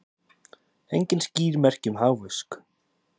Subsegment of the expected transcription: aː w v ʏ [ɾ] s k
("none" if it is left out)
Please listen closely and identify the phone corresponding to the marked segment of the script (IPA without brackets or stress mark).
none